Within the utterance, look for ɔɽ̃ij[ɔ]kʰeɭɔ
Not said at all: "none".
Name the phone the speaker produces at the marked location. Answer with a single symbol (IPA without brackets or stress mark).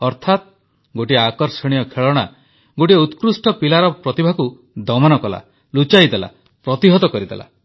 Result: ɔ